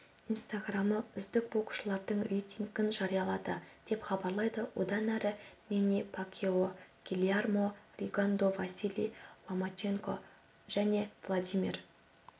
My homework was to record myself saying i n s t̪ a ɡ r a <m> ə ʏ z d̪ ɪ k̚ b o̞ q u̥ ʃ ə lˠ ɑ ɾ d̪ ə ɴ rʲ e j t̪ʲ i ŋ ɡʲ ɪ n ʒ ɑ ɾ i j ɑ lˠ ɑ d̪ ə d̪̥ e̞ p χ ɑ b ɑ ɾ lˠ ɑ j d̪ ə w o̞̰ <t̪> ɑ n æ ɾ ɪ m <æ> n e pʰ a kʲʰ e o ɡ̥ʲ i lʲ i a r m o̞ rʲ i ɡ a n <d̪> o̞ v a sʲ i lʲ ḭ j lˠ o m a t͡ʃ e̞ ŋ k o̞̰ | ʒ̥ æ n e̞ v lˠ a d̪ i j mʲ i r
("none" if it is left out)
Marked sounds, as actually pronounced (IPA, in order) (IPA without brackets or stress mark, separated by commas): m, d̪, e, d̪